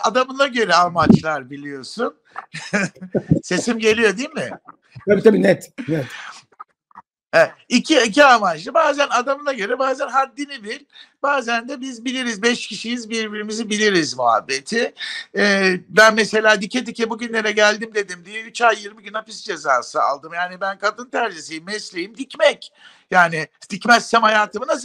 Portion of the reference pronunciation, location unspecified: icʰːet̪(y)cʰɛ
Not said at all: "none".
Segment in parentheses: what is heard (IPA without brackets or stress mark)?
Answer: i